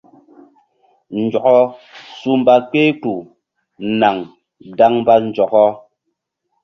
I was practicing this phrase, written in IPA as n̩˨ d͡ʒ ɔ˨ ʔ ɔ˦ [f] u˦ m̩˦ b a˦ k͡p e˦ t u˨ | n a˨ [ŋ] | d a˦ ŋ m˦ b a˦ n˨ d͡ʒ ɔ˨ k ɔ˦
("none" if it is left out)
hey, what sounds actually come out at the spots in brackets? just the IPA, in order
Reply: s, ŋ

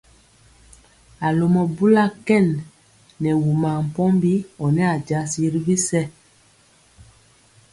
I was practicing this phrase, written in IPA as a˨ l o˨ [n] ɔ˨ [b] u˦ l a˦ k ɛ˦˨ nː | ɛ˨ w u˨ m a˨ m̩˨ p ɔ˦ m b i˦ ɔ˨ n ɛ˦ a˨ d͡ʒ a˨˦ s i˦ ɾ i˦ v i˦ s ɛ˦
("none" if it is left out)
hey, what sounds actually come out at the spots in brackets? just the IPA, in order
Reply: m, b

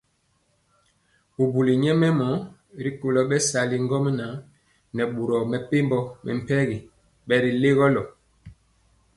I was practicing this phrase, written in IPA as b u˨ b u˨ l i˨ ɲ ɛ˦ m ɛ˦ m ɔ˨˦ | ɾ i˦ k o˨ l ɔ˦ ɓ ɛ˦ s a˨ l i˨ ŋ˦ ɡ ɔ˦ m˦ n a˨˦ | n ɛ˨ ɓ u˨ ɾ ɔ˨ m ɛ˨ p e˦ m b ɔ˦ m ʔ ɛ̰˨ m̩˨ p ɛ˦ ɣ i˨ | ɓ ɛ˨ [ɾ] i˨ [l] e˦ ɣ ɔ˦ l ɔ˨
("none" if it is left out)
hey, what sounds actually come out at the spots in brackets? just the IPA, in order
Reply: ɾ, l

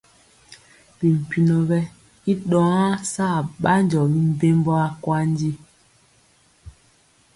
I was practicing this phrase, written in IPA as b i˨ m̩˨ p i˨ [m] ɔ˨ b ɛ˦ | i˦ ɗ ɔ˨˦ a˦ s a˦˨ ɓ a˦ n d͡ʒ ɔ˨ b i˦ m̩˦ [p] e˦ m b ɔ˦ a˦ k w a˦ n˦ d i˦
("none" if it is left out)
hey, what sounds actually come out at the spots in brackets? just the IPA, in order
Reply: n, b

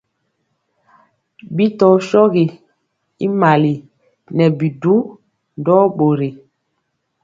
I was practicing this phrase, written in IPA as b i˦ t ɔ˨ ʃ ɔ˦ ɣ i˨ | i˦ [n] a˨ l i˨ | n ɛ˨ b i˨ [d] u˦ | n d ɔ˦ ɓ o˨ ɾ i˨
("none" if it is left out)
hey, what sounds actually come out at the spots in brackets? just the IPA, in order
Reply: m, d

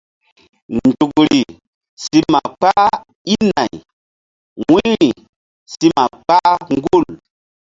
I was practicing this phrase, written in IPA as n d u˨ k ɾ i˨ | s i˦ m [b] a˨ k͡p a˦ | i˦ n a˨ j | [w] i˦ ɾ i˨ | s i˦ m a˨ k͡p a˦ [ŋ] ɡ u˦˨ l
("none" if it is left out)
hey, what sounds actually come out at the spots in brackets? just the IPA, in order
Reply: m, w, ŋ

